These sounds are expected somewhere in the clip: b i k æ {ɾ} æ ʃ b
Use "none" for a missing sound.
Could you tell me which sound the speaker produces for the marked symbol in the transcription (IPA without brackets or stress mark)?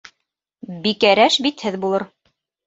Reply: ɾ